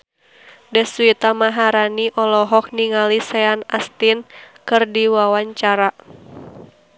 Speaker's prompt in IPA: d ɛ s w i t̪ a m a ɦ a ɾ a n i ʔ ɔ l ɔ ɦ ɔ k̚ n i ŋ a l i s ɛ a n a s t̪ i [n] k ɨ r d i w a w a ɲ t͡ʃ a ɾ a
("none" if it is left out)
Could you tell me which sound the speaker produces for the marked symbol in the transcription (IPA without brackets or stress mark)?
n